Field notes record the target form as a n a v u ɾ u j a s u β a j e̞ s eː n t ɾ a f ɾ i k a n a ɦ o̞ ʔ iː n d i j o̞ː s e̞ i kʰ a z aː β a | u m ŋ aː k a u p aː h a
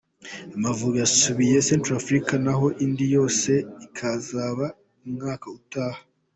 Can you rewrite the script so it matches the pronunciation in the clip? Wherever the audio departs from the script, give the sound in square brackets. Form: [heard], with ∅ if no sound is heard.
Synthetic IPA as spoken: a [m] a v u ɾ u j a s u β [i] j e̞ s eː n t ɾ a f ɾ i k a n a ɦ o̞ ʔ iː n d i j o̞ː s e̞ i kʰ a z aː β a | u m ŋ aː k a u [t] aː h a